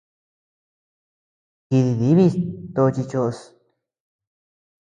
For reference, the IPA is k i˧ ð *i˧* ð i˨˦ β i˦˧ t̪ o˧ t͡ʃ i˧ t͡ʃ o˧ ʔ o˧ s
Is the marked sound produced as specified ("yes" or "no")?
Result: yes